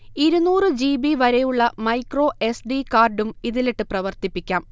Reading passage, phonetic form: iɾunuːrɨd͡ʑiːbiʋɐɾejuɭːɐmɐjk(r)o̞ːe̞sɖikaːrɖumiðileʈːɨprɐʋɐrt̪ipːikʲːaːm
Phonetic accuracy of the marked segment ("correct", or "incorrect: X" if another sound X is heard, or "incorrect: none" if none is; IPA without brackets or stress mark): correct